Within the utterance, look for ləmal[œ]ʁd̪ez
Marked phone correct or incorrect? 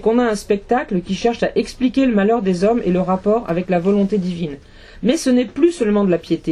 correct